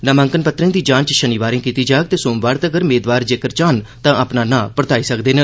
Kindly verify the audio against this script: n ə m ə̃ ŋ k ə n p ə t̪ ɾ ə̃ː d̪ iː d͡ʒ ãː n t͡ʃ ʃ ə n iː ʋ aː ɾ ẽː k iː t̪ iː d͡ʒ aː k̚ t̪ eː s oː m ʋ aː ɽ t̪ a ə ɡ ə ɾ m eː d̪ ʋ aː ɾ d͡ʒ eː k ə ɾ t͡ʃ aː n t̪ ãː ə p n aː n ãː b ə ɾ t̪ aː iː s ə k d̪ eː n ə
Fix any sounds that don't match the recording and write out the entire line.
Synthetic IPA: n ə m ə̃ ŋ k ə n p ə t̪ ɾ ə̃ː d̪ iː d͡ʒ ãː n t͡ʃ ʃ ə n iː ʋ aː ɾ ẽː k iː t̪ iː d͡ʒ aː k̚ t̪ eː s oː m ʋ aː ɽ t̪ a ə ɡ ə ɾ m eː d̪ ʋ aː ɾ d͡ʒ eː k ə ɾ t͡ʃ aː n t̪ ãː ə p n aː n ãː p ə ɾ t̪ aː iː s ə k d̪ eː n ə